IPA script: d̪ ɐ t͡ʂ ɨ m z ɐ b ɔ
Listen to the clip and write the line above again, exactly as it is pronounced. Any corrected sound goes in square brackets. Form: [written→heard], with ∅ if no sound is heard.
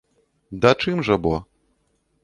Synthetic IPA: d̪ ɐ t͡ʂ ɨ m [z→ʐ] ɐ b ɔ